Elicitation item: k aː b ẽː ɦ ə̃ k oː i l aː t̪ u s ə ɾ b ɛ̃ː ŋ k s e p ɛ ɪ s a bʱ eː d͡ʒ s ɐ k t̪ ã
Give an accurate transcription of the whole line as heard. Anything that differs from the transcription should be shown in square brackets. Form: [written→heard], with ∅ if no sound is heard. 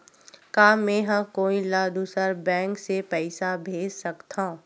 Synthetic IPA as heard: k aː [b→m] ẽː ɦ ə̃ k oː i l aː [t̪→d̪] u s ə ɾ b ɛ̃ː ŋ k s e p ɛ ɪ s a bʱ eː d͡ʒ s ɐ k t̪ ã